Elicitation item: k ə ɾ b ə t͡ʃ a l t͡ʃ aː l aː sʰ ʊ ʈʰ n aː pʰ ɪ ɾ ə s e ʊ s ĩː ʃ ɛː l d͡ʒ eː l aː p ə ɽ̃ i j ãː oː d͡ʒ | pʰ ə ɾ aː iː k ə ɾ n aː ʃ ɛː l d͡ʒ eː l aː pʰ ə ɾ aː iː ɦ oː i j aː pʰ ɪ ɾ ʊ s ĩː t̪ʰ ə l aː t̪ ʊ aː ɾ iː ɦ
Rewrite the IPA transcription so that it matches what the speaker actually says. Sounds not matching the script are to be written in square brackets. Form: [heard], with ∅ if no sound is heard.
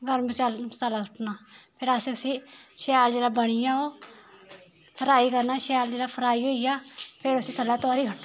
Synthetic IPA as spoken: [ɡ] ə ɾ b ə t͡ʃ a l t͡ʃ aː l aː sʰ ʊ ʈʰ n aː pʰ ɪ ɾ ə s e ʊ s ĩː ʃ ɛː l d͡ʒ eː l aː [b] ə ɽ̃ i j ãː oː [∅] | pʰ ə ɾ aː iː k ə ɾ n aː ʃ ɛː l d͡ʒ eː l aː pʰ ə ɾ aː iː ɦ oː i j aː pʰ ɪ ɾ ʊ s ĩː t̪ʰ ə l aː t̪ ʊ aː ɾ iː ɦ